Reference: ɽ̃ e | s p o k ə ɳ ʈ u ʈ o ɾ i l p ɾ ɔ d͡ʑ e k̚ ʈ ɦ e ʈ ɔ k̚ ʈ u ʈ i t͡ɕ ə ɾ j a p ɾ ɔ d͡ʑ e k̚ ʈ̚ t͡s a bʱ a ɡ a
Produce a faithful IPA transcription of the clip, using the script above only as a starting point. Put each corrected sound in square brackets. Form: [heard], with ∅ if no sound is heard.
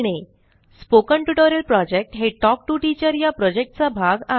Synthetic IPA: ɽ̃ e | s p o k ə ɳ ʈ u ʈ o ɾ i l p ɾ ɔ d͡ʑ e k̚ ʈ ɦ e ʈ ɔ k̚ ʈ u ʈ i t͡ɕ ə ɾ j a p ɾ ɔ d͡ʑ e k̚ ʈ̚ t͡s a bʱ a ɡ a